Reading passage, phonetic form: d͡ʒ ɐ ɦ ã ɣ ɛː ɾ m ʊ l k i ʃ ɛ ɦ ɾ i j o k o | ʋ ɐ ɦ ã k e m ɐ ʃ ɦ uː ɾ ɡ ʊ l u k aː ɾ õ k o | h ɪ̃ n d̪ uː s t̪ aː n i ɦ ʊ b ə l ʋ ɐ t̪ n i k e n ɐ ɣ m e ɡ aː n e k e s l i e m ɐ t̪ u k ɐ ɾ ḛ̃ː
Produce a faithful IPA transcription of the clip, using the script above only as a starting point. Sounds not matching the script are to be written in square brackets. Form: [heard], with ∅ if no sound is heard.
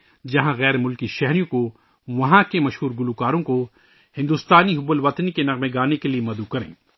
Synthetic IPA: d͡ʒ ɐ ɦ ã ɣ ɛː ɾ m ʊ l k i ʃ ɛ ɦ ɾ i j [õ] k o | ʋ ɐ ɦ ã k e m ɐ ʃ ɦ uː ɾ ɡ ʊ l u k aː ɾ õ k o | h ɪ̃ n d̪ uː s t̪ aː n i ɦ ʊ b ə l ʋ ɐ t̪ n i k e n ɐ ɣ m e ɡ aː n e k e [∅] l i e m ɐ [d̪] u k ɐ ɾ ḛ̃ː